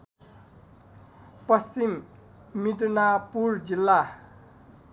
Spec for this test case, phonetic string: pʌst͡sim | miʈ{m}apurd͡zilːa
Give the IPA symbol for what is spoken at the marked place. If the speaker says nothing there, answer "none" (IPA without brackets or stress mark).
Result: n